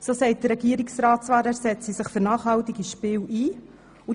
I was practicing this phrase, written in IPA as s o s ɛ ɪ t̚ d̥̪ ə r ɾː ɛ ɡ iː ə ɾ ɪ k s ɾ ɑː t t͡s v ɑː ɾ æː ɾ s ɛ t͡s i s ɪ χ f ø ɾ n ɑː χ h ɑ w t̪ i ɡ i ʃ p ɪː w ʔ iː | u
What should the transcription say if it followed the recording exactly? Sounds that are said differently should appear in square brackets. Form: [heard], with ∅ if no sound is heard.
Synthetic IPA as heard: s o s ɛ ɪ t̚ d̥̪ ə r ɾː ɛ ɡ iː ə ɾ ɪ k s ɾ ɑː t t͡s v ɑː ɾ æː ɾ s ɛ t͡s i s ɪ χ f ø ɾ n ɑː χ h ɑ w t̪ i ɡ i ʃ p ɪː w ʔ iː | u